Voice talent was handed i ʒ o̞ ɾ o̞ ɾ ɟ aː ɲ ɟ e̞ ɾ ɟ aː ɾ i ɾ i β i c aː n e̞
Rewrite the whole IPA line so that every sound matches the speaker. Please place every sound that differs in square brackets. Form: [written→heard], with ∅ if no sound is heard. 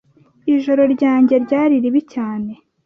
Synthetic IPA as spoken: i ʒ o̞ ɾ o̞ ɾ ɟ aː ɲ ɟ e̞ ɾ ɟ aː ɾ i ɾ i β i c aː n e̞